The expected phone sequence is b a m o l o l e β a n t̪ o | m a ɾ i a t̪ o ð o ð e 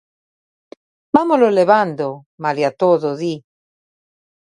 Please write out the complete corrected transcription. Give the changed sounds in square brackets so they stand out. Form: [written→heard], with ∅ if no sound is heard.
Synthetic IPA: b a m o l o l e β a n [t̪→d̪] o | m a [ɾ→l] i a t̪ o ð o ð [e→i]